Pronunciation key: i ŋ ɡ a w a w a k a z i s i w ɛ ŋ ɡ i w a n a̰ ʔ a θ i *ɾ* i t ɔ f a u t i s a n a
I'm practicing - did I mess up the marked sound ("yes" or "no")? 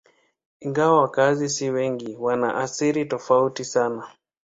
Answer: no